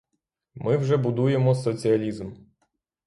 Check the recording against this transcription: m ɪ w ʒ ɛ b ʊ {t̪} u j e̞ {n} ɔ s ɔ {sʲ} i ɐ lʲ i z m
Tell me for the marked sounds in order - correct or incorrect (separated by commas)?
incorrect, incorrect, incorrect